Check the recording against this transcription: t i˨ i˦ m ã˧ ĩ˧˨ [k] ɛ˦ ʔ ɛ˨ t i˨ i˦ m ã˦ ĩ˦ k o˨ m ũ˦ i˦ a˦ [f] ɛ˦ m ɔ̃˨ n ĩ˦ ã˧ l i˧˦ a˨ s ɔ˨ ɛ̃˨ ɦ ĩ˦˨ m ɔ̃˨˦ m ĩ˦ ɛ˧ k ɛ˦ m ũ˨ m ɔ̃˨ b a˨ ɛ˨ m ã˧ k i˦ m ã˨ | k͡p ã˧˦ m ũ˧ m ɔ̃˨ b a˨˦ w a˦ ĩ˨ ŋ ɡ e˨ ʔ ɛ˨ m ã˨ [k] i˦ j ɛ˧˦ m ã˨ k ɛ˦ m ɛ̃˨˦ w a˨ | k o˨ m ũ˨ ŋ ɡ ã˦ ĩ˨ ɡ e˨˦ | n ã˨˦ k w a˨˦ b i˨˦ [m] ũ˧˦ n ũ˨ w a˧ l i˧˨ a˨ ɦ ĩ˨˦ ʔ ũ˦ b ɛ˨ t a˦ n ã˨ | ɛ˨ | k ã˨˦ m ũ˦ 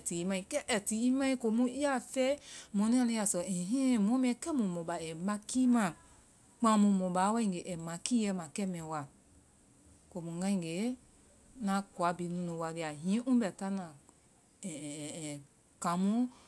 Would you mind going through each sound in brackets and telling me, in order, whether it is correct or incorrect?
correct, correct, correct, incorrect: n

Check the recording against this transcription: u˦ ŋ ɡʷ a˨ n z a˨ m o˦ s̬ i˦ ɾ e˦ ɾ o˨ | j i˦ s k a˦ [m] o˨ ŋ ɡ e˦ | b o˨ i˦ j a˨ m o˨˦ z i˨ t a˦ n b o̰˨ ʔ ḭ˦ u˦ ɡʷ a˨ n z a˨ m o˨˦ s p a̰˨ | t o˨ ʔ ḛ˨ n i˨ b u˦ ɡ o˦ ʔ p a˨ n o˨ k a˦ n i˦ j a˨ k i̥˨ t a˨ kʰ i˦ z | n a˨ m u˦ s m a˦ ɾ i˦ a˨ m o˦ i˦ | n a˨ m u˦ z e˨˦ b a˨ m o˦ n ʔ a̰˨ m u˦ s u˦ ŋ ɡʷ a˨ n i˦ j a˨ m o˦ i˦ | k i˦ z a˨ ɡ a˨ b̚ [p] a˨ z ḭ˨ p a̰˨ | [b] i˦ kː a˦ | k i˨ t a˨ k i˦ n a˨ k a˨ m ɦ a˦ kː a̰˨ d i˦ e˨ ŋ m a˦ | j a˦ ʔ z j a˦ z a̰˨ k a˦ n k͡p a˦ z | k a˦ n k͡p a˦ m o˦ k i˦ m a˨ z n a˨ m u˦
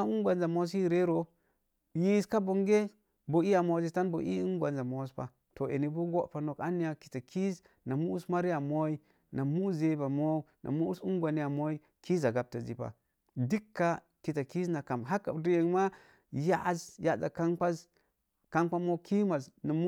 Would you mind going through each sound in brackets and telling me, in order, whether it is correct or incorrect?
incorrect: b, incorrect: t, incorrect: d

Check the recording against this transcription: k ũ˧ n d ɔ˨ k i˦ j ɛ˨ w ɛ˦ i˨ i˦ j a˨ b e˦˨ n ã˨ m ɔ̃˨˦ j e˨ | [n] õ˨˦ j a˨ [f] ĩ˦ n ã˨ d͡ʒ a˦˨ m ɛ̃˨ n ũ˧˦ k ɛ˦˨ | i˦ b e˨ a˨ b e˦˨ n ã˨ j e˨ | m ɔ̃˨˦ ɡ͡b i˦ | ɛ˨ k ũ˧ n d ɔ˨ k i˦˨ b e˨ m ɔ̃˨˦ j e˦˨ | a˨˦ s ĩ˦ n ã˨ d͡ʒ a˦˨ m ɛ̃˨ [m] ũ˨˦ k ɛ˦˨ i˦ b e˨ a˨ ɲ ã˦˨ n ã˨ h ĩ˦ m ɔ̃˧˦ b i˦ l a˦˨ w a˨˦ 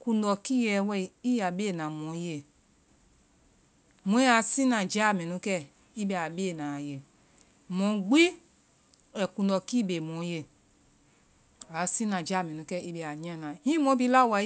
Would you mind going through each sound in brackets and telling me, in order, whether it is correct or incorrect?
incorrect: m, incorrect: s, incorrect: n

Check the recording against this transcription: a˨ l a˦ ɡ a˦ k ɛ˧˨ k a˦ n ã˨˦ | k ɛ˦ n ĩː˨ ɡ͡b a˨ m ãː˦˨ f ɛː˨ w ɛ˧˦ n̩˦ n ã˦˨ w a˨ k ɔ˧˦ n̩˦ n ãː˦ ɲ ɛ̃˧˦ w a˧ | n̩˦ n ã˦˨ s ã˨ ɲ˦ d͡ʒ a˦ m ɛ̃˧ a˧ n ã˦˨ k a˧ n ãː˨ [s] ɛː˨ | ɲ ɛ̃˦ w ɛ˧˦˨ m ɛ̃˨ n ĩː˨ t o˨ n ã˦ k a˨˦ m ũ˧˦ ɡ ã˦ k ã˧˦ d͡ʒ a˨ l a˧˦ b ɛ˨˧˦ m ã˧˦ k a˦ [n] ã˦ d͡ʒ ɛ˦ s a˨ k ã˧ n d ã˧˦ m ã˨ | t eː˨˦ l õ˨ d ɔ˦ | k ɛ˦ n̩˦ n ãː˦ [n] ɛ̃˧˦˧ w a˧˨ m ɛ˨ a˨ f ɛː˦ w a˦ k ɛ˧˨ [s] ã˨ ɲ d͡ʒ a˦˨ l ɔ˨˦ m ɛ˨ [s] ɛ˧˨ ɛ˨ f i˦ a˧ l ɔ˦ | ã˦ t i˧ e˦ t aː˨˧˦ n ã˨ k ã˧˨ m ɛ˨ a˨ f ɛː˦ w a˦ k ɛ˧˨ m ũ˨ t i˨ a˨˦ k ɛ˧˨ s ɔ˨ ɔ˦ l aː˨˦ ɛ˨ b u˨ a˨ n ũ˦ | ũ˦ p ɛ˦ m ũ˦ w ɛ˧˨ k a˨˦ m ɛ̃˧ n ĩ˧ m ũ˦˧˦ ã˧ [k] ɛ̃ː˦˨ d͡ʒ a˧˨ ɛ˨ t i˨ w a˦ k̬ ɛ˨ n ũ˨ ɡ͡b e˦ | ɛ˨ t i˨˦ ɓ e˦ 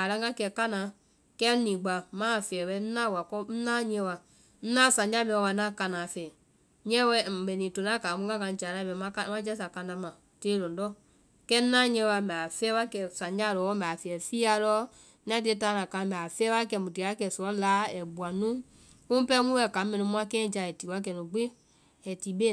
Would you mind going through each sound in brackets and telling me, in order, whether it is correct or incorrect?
incorrect: f, incorrect: m, incorrect: ɲ, correct, incorrect: f, correct

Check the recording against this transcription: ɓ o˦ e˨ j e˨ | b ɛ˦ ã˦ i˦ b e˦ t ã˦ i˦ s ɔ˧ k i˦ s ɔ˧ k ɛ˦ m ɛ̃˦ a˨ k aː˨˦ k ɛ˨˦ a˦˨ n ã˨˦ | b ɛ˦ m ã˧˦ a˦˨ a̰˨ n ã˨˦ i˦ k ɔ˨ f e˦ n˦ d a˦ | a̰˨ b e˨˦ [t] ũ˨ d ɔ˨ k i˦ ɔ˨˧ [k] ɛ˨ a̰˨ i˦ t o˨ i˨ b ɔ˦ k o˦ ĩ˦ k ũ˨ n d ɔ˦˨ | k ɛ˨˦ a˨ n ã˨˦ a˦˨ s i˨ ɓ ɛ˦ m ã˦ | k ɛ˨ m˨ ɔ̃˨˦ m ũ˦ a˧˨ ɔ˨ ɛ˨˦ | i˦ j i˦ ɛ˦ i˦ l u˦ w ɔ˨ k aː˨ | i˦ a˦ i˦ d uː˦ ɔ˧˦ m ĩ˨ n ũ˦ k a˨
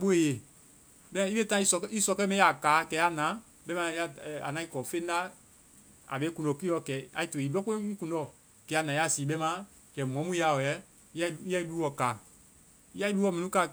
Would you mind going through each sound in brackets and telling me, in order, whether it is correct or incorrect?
incorrect: k, correct

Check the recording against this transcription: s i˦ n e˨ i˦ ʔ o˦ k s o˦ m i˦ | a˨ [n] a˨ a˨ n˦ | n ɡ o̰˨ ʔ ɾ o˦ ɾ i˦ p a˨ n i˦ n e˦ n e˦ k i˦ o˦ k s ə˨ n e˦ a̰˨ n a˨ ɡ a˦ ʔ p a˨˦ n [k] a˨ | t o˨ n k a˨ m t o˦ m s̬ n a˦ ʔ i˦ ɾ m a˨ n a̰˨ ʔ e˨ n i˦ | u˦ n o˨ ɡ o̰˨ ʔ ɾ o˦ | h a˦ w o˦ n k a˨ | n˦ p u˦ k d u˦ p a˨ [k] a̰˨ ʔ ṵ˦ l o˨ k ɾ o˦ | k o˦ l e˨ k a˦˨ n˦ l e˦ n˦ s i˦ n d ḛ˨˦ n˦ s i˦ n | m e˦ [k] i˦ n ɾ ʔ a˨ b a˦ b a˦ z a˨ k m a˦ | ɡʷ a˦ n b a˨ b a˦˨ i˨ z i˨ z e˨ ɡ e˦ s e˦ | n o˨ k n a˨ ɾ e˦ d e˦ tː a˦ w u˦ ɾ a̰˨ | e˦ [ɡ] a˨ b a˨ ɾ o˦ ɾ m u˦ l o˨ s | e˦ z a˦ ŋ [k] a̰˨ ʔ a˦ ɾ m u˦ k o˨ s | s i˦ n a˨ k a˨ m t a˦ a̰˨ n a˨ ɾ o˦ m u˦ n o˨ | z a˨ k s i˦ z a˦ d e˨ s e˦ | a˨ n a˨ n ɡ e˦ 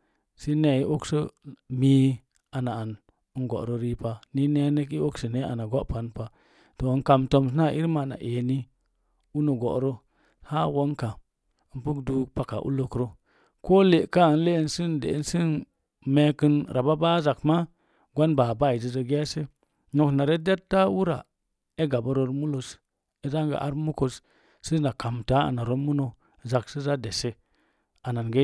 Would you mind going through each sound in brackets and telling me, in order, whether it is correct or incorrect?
correct, incorrect: p, correct, correct, correct, incorrect: ɡ

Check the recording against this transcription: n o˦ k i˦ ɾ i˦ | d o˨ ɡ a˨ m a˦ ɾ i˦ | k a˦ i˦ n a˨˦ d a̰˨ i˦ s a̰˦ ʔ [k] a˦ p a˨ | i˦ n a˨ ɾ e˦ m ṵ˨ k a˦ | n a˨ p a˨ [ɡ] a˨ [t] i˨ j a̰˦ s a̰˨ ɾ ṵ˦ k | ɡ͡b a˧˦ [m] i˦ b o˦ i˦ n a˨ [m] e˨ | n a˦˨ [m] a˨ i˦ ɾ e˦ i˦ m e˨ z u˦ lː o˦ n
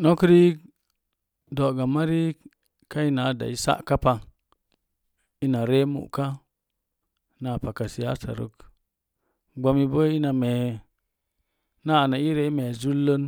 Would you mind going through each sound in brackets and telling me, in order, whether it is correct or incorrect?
correct, incorrect: k, incorrect: s, correct, correct, incorrect: n

